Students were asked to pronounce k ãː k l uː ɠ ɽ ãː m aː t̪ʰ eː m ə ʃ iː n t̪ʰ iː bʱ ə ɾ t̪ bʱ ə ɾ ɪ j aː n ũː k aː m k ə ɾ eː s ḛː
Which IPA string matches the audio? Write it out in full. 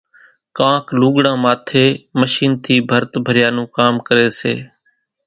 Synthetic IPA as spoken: k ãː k l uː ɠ ɽ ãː m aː t̪ʰ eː m ə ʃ iː n t̪ʰ iː bʱ ə ɾ t̪ bʱ ə ɾ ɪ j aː n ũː k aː m k ə ɾ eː s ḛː